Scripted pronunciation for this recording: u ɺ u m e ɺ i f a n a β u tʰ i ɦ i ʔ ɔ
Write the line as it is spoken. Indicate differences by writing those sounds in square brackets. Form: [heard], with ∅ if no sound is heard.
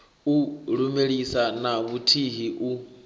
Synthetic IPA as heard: u ɺ u m e ɺ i [s] a n a β u tʰ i ɦ i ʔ [u]